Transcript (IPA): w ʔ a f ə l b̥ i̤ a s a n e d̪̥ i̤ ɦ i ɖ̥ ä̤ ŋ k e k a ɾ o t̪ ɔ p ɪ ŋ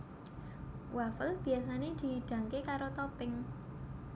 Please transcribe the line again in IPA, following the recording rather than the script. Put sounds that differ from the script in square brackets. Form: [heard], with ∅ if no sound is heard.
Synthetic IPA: w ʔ a f ə l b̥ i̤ a s a n e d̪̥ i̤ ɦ i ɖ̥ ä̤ ŋ k e k a ɾ o t̪ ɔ p ɪ ŋ